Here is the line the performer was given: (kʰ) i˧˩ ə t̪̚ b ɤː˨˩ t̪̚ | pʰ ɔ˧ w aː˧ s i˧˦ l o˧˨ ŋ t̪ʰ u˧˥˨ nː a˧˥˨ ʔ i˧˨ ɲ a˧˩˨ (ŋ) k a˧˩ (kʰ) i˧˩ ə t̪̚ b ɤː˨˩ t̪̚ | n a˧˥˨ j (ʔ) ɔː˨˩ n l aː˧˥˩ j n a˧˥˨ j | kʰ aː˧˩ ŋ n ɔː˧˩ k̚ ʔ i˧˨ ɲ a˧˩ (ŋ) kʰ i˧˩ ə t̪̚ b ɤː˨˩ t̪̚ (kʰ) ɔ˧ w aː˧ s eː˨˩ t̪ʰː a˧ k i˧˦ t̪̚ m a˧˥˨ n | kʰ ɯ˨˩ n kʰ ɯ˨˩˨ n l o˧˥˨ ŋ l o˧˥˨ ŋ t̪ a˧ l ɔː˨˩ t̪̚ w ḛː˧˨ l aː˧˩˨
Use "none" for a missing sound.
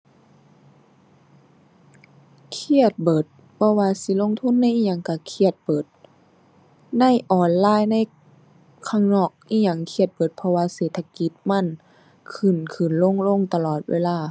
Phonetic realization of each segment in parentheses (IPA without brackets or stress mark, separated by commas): kʰ, ŋ, kʰ, ʔ, ŋ, pʰ